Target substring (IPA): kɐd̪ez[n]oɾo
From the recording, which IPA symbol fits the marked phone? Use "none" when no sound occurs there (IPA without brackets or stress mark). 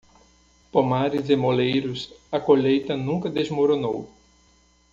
m